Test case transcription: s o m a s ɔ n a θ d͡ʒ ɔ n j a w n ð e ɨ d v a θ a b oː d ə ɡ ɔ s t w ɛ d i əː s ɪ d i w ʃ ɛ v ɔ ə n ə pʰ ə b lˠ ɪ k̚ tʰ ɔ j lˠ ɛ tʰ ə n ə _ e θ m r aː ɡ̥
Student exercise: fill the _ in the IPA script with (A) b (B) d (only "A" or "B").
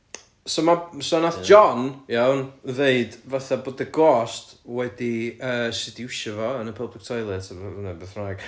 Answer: A